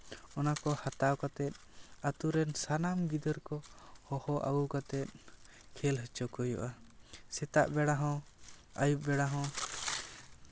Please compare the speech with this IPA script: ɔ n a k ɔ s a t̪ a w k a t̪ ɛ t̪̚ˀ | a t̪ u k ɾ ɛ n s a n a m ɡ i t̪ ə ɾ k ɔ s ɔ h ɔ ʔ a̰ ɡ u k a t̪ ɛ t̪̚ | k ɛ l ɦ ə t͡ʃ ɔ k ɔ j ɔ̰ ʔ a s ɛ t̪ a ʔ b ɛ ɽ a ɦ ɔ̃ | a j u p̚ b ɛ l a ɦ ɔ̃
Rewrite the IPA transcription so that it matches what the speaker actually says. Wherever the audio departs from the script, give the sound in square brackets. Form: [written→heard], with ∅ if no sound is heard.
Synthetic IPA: ɔ n a k ɔ [s→h] a t̪ a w k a t̪ ɛ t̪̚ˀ | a t̪ u [k→∅] ɾ ɛ n s a n a m ɡ i [t̪→d̪] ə ɾ k ɔ [s→h] ɔ h ɔ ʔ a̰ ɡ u k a t̪ ɛ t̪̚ | [k→kʰ] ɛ l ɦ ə t͡ʃ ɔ k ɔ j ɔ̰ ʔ a s ɛ t̪ a ʔ b ɛ ɽ a ɦ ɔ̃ | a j u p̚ b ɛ [l→ɽ] a ɦ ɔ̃

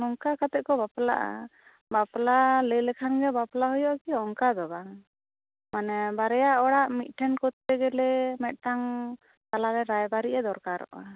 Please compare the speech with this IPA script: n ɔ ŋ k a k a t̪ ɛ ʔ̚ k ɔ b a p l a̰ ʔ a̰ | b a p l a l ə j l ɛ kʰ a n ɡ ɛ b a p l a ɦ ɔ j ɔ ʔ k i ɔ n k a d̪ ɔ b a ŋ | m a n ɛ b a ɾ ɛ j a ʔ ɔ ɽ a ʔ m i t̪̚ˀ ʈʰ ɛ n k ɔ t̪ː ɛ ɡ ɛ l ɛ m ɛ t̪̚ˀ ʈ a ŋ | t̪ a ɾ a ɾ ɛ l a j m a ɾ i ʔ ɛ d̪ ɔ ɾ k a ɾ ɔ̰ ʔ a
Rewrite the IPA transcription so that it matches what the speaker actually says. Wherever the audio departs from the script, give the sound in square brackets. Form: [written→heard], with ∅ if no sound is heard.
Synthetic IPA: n ɔ ŋ k a k a t̪ ɛ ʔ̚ k ɔ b a p l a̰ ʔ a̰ | b a p l a l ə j l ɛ kʰ a n ɡ ɛ b a p l a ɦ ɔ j ɔ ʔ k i ɔ [n→ŋ] k a d̪ ɔ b a ŋ | m a n ɛ b a ɾ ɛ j a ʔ ɔ ɽ a ʔ m i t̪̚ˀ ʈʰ ɛ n k ɔ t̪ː ɛ ɡ ɛ l ɛ m ɛ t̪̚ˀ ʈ a ŋ | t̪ a [ɾ→l] a ɾ ɛ [l→ɾ] a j [m→b] a ɾ i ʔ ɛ d̪ ɔ ɾ k a ɾ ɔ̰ ʔ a

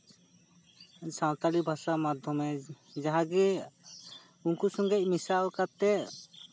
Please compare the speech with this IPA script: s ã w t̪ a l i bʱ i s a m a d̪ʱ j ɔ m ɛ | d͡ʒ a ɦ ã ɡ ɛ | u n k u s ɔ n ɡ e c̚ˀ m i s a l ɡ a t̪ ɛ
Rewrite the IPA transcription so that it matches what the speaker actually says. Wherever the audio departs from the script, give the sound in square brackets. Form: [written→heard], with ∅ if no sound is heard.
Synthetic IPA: s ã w t̪ a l i bʱ [i→a] s a m a d̪ʱ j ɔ m ɛ | d͡ʒ a ɦ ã ɡ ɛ | u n k u s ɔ [n→ŋ] ɡ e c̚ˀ m i s a l [ɡ→k] a t̪ ɛ

